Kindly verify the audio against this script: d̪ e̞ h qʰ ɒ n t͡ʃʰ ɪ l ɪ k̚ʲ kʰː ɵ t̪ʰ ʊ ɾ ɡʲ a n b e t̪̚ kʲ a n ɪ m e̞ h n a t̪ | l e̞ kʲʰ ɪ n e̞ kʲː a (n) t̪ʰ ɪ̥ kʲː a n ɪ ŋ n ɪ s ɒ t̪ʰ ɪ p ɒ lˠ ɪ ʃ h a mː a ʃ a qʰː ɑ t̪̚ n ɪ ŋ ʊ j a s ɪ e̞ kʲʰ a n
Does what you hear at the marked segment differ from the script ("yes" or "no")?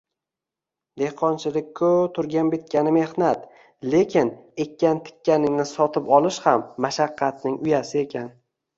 no